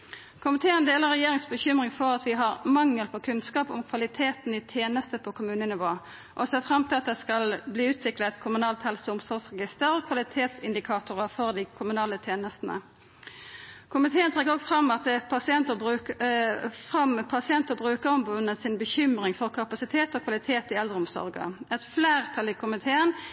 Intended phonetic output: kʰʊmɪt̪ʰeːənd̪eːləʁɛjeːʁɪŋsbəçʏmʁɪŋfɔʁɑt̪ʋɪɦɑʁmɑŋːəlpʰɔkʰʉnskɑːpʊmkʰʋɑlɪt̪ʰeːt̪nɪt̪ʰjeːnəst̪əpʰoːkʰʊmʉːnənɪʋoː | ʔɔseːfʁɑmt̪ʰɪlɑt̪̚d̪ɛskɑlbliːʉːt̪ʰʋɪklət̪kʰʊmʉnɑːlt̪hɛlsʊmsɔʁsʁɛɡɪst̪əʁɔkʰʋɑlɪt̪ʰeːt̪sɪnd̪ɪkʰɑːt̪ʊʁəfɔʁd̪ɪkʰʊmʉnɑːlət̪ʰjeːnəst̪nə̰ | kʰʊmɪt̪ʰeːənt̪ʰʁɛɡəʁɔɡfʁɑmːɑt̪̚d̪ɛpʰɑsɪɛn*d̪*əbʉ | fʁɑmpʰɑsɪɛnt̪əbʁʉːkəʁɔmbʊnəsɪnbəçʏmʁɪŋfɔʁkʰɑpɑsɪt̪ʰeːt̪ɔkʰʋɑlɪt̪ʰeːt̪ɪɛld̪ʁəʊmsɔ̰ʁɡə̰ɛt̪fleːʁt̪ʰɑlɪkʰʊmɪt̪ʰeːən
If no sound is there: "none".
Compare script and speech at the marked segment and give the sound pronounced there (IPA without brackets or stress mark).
t̪